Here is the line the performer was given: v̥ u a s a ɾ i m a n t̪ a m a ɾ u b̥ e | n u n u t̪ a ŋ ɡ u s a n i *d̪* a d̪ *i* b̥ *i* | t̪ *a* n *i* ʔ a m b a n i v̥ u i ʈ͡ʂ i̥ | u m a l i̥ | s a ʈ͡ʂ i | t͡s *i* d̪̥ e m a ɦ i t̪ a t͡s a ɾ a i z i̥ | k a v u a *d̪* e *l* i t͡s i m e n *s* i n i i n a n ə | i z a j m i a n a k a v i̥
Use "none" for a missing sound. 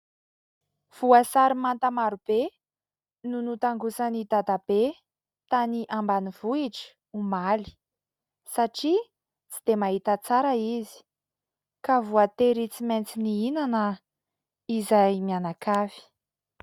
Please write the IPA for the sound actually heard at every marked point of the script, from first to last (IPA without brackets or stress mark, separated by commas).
d̪, a, e, a, i, i, t̪, ɾ, t͡s